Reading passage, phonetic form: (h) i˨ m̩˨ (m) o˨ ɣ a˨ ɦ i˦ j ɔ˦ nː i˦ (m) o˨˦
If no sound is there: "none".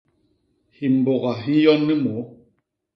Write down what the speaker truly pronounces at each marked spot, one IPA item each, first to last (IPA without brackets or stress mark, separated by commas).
h, b, m